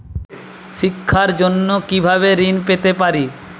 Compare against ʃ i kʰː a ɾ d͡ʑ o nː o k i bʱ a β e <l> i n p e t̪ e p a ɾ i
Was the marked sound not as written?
yes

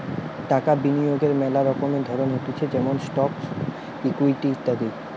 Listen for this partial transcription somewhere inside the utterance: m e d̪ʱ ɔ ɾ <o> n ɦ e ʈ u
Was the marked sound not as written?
no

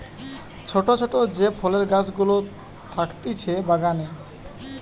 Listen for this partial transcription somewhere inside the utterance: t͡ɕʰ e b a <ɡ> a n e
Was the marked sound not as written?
no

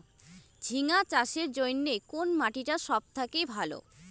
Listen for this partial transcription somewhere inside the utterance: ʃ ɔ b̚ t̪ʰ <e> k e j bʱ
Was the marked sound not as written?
yes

